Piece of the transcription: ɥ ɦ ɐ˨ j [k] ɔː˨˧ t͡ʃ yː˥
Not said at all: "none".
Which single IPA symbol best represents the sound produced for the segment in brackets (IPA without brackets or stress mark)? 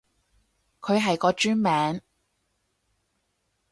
k